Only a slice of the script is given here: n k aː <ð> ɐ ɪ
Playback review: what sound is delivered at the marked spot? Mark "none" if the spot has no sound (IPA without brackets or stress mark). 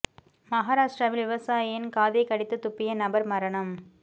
ð